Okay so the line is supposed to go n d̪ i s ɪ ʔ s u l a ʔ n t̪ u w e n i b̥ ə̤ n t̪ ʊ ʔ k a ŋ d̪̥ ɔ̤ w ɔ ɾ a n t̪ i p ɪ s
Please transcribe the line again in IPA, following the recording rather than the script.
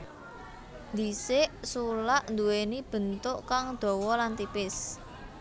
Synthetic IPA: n d̪ i s ɪ ʔ s u l a ʔ n d̪ u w e n i b̥ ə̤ n t̪ ʊ ʔ k a ŋ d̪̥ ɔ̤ w ɔ l a n t̪ i p ɪ s